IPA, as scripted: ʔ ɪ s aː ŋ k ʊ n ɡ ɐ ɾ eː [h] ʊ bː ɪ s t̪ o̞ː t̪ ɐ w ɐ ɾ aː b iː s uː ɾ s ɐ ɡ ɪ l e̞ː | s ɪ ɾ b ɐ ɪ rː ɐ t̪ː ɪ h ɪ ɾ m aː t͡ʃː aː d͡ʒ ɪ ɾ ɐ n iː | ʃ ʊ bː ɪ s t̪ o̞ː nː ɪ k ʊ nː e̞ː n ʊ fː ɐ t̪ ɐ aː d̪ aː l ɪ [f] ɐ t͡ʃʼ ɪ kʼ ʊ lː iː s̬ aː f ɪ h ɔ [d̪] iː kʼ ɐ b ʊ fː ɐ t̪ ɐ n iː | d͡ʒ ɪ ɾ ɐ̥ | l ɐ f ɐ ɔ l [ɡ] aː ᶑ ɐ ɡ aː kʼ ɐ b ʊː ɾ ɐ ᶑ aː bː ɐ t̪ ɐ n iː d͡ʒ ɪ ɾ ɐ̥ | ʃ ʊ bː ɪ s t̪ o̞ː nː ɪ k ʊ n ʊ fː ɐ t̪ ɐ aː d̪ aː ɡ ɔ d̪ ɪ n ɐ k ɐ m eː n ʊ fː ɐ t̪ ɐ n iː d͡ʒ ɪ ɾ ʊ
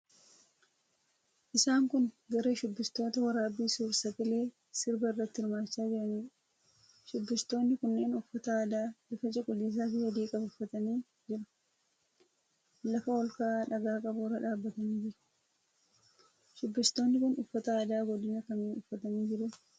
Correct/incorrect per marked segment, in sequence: incorrect: ʃ, correct, correct, incorrect: k

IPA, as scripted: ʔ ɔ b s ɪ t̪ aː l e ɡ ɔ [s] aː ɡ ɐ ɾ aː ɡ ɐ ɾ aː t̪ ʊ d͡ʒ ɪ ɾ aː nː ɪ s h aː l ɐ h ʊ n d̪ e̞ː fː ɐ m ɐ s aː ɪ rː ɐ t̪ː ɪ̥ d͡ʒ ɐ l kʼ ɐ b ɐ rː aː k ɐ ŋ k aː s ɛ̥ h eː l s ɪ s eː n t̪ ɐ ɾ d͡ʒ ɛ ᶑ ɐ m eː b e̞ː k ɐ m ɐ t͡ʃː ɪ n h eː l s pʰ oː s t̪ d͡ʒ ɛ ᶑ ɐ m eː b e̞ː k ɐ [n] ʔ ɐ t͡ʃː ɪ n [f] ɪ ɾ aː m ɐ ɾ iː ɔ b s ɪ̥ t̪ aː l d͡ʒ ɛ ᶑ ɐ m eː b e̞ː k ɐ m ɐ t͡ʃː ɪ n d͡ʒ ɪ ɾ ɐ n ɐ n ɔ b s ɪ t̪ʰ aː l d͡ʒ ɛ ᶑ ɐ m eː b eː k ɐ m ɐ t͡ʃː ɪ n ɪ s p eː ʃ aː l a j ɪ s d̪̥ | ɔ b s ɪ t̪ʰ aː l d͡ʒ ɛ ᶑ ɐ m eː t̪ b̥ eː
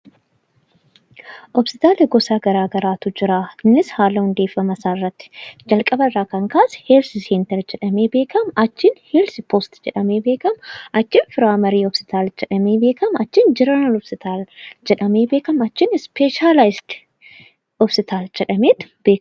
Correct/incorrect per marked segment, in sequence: correct, incorrect: m, correct

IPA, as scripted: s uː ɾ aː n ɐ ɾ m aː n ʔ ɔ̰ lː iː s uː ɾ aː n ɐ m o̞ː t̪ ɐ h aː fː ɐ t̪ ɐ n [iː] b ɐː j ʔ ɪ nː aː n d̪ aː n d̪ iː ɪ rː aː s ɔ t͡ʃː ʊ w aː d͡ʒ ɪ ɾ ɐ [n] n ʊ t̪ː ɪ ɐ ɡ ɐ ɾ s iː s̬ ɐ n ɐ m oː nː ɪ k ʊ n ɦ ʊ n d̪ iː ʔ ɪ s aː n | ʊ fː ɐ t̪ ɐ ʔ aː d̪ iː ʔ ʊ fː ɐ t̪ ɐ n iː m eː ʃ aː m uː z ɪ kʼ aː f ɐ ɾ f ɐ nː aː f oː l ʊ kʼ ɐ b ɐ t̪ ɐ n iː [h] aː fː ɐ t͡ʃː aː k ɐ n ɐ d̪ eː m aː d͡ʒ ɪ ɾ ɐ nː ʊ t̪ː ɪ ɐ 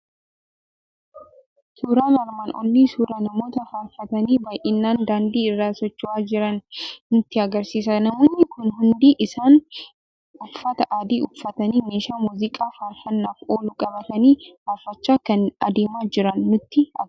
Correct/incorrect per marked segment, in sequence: correct, correct, correct

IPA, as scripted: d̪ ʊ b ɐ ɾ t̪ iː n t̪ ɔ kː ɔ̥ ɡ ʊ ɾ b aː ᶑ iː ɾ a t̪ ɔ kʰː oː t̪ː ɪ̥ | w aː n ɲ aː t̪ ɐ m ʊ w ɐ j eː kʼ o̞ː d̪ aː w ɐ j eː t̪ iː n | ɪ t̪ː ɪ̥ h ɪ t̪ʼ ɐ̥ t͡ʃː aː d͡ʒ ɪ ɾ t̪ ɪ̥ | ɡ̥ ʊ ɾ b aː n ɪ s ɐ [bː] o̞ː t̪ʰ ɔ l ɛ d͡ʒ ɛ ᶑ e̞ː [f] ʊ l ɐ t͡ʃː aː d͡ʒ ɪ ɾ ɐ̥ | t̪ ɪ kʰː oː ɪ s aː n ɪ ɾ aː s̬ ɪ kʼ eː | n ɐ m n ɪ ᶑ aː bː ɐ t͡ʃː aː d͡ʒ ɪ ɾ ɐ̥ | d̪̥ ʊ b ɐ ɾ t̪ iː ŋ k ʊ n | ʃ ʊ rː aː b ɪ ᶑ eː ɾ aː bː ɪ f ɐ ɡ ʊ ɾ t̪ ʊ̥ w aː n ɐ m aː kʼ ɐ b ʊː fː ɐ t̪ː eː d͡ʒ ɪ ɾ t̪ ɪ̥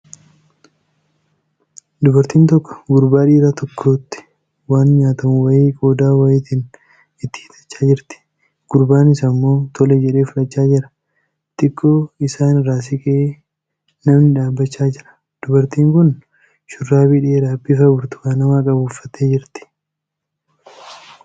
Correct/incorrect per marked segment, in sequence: incorrect: mː, correct

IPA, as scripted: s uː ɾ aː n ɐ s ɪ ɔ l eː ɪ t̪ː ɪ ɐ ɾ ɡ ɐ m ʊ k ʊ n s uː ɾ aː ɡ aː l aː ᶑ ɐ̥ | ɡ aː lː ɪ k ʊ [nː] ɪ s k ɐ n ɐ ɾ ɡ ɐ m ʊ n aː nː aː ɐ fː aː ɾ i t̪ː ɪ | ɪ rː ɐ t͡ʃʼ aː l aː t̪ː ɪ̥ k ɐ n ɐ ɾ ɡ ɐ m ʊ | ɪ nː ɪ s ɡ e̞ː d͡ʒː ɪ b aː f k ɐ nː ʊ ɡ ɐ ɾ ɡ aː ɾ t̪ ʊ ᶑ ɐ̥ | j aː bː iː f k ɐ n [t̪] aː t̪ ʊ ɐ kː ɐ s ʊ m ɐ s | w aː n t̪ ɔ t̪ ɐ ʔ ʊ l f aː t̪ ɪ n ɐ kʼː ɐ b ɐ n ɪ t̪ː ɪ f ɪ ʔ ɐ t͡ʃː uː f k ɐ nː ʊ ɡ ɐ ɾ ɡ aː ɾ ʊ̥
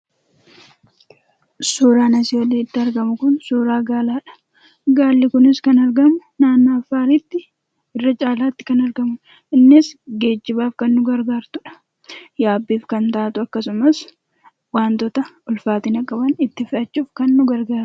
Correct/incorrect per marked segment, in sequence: incorrect: n, correct

